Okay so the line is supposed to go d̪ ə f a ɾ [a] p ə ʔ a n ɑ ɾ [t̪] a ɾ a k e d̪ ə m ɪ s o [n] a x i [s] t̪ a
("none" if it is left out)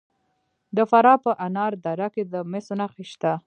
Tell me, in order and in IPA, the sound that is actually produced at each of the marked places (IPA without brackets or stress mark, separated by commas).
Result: ɑ, d̪, n, ʃ